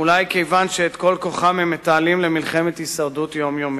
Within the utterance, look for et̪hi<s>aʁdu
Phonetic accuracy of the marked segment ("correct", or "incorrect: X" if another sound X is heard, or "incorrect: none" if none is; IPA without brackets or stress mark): correct